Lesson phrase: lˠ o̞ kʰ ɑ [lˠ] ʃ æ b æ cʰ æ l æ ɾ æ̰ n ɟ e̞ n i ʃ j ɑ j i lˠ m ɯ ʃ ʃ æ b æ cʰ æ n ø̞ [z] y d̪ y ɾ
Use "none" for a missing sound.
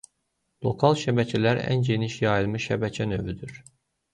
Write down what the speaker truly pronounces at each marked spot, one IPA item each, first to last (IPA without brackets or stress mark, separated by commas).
lˠ, v